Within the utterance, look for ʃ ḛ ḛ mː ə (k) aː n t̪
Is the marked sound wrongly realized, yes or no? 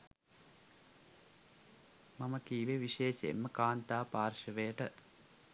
no